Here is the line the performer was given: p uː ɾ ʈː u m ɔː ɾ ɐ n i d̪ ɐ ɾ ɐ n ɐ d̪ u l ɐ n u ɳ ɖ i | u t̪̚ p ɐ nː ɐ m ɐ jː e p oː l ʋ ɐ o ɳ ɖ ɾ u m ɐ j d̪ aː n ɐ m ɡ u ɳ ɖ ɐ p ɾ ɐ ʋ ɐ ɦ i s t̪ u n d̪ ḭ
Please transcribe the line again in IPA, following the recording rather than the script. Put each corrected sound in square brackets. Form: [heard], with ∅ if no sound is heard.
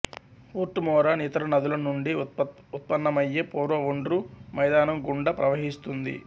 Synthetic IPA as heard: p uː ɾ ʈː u m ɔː ɾ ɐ n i [t̪] ɐ ɾ ɐ n ɐ d̪ u l ɐ n u ɳ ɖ i | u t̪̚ p ɐ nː ɐ m ɐ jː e p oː [ɾ] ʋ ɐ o ɳ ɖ ɾ u m ɐ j d̪ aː n ɐ m ɡ u ɳ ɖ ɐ p ɾ ɐ ʋ ɐ ɦ i s t̪ u n d̪ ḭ